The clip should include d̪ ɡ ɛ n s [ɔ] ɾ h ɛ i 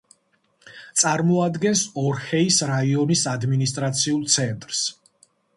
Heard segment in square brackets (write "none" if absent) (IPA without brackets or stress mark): ɔ